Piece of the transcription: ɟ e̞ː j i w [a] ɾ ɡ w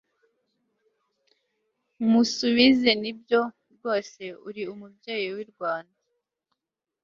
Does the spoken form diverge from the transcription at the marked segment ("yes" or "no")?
yes